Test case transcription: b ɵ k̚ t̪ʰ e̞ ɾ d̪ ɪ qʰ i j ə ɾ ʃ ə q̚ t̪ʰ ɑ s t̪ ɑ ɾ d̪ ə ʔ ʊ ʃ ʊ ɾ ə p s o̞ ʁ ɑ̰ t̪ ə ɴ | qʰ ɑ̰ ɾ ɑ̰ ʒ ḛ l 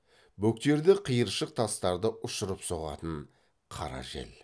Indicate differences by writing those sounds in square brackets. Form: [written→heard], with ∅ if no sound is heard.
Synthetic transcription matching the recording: b ɵ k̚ [t̪ʰ→t̪] e̞ ɾ d̪ ɪ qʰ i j ə ɾ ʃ ə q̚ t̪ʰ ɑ s t̪ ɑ ɾ d̪ ə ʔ ʊ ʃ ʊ ɾ ə p s o̞ ʁ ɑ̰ t̪ ə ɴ | qʰ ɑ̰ ɾ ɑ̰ ʒ ḛ l